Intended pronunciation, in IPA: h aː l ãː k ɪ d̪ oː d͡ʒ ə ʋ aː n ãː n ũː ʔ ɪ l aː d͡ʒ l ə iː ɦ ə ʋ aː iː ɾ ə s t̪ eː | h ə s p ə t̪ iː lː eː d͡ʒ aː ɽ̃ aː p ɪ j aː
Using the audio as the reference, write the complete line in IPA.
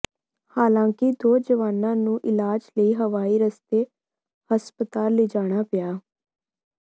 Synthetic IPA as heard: h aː l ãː k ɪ d̪ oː d͡ʒ ə ʋ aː n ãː n ũː ʔ ɪ l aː d͡ʒ l ə iː ɦ ə ʋ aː iː ɾ ə s t̪ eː | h ə s p ə t̪ aː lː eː d͡ʒ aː ɽ̃ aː p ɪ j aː